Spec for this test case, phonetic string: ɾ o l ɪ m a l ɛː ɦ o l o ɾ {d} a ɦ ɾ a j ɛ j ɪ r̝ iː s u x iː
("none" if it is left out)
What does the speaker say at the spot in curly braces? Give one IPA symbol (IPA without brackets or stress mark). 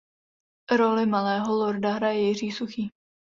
d